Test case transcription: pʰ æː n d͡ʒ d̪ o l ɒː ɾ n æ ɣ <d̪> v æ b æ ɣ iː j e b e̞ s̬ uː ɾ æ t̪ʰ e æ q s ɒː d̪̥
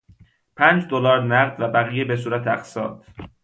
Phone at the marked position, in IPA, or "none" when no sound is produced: d̪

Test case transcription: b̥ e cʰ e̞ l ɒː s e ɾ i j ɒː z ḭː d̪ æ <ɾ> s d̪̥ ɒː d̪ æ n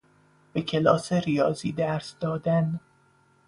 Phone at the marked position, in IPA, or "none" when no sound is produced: ɾ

